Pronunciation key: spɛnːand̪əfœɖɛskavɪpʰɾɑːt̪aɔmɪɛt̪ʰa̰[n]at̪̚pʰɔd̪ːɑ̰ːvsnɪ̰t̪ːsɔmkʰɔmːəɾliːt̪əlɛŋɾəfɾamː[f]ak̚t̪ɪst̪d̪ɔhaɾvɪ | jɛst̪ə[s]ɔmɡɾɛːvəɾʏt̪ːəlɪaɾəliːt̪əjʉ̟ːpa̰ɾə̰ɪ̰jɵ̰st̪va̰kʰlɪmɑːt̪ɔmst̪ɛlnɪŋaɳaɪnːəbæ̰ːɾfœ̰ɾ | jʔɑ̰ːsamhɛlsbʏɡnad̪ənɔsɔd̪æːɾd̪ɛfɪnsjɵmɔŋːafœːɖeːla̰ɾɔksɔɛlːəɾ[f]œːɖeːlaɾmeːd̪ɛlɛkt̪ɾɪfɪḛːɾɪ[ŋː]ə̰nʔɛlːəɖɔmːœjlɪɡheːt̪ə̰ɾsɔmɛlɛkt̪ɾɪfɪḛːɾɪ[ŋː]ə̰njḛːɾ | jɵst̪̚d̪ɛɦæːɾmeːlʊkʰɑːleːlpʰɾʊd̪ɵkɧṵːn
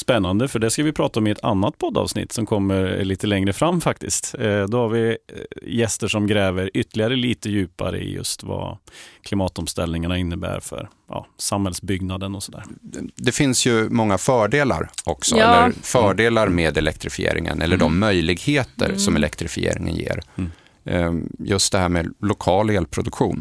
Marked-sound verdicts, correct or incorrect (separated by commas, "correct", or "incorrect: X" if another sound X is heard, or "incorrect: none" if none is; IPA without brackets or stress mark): incorrect: nː, correct, incorrect: ʂ, correct, incorrect: ŋ, incorrect: ŋ